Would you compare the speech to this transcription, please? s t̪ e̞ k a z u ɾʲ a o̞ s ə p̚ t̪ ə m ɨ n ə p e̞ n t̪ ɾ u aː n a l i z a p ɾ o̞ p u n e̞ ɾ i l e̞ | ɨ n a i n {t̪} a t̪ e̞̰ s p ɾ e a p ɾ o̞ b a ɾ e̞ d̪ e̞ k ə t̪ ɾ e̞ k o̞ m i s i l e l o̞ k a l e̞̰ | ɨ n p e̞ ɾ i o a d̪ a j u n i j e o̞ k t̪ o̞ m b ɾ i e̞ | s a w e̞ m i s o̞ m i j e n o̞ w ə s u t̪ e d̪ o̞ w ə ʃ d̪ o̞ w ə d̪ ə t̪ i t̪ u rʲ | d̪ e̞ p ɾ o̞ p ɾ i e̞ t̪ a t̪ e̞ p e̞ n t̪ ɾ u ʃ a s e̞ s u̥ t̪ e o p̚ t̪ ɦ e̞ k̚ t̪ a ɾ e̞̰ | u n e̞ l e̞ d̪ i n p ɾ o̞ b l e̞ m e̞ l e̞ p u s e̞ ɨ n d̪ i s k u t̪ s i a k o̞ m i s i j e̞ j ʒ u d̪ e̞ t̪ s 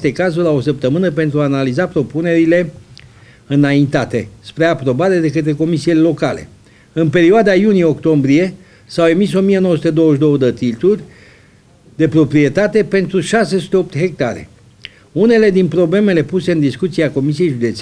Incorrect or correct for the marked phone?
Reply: correct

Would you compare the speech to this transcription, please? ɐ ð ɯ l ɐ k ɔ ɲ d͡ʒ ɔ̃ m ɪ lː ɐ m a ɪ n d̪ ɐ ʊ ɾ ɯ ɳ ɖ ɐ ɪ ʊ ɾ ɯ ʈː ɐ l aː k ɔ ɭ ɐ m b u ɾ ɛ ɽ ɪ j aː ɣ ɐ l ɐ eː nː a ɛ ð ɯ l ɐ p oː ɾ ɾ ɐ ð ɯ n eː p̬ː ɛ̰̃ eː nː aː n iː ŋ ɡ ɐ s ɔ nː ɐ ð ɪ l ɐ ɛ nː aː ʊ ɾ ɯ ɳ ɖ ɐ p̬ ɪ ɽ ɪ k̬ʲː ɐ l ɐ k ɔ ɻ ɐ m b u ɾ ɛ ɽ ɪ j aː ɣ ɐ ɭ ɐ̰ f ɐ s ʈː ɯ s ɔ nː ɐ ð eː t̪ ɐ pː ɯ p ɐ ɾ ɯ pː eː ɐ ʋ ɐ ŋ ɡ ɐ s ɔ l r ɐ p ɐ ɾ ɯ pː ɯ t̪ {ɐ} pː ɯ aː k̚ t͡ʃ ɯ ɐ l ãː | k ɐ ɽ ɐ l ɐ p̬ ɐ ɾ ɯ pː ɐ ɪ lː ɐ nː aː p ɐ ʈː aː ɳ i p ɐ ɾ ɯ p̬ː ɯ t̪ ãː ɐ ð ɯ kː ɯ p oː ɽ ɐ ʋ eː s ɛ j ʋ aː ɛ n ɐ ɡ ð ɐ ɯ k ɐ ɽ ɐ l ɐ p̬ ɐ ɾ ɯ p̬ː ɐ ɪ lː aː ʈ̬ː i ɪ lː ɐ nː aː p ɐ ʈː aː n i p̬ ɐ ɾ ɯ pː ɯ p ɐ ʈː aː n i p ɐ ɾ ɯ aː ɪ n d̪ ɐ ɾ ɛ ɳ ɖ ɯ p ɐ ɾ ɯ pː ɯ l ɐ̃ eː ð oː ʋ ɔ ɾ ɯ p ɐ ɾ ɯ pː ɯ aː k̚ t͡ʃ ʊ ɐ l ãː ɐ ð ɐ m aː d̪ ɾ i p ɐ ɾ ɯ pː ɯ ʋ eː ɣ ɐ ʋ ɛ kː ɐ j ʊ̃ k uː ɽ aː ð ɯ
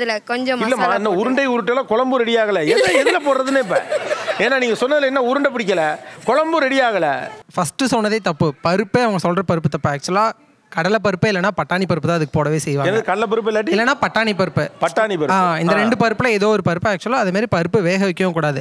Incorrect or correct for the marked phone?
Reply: correct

